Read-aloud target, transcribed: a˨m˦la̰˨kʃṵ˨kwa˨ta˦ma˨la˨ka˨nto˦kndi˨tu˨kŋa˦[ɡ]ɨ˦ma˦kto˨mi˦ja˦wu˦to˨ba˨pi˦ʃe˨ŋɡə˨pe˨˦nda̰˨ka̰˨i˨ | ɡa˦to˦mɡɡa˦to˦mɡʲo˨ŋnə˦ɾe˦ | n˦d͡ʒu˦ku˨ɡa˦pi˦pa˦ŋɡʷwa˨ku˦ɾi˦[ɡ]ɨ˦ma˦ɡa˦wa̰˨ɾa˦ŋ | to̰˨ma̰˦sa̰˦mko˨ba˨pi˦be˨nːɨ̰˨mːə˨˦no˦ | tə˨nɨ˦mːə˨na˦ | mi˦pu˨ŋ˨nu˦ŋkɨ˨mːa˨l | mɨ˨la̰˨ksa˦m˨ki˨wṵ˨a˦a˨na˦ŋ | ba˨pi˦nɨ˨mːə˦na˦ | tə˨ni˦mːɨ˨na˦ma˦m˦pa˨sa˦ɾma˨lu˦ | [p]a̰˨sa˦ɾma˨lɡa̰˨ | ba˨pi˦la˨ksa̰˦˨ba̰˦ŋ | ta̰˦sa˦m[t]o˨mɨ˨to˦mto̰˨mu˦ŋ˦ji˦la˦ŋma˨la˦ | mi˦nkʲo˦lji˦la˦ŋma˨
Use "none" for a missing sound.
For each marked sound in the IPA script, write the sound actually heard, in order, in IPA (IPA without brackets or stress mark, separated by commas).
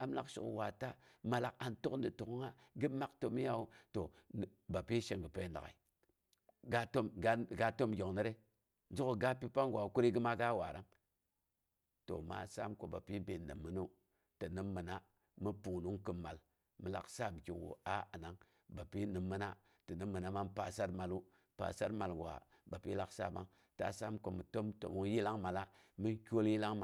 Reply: ɡ, ɡ, p, k